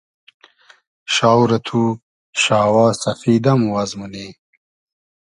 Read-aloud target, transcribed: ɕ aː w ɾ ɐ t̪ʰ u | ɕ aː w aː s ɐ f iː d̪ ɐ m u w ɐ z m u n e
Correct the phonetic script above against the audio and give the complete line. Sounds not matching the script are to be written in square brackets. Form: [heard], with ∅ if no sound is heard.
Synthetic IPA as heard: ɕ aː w ɾ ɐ t̪ʰ u | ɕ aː w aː s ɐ f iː d̪ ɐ m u w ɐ z m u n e